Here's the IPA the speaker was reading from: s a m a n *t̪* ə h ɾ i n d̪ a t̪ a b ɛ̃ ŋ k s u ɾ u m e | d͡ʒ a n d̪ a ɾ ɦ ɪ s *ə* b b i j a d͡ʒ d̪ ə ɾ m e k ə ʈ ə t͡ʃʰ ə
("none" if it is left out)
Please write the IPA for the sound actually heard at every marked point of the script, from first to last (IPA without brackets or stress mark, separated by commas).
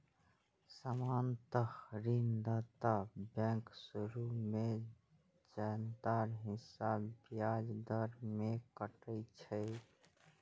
t̪, a